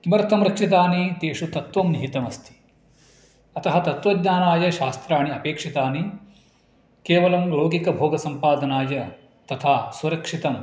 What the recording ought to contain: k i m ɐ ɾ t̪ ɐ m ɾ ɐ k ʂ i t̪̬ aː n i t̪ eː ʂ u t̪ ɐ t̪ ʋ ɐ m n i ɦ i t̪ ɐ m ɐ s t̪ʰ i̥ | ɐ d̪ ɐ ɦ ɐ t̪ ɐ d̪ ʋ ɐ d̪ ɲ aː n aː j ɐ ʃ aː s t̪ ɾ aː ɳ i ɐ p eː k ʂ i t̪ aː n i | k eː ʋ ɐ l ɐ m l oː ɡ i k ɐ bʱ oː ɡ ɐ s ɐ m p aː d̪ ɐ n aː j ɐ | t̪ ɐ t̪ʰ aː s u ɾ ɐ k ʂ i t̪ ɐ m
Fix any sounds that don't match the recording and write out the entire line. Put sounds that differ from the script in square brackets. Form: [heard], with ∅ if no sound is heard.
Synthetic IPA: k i m ɐ ɾ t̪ ɐ m ɾ ɐ k ʂ i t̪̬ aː n i t̪ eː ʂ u t̪ ɐ t̪ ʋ ɐ m n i ɦ i t̪ ɐ m ɐ s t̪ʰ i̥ | ɐ [t̪] ɐ ɦ ɐ t̪ ɐ [t̪] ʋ ɐ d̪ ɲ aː n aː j ɐ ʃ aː s t̪ ɾ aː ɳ i ɐ p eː k ʂ i t̪ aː n i | k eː ʋ ɐ l ɐ m l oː ɡ i k ɐ bʱ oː ɡ ɐ s ɐ m p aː d̪ ɐ n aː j ɐ | t̪ ɐ t̪ʰ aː s u ɾ ɐ k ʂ i t̪ ɐ m